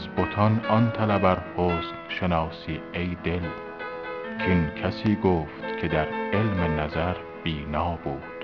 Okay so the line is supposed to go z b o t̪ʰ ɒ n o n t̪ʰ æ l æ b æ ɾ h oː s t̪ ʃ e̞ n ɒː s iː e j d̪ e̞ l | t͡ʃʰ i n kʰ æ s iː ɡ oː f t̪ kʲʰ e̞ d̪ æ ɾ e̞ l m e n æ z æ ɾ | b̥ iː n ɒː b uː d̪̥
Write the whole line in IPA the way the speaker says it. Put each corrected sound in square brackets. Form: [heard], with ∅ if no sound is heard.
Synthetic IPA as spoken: z b o t̪ʰ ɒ n [ɒ] n t̪ʰ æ l æ b æ ɾ h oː s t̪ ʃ e̞ n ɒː s iː e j d̪ e̞ l | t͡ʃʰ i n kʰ æ s iː ɡ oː f t̪ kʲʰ e̞ d̪ æ ɾ e̞ l m e n æ z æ ɾ | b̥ iː n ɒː b uː d̪̥